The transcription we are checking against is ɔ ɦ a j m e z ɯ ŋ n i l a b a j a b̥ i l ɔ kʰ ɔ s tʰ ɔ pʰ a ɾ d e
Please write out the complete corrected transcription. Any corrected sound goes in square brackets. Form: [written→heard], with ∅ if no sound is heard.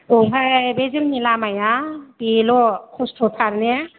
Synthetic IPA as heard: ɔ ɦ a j [m→b] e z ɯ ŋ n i l a [b→m] a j a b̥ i l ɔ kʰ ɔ s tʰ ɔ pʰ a ɾ [d→n] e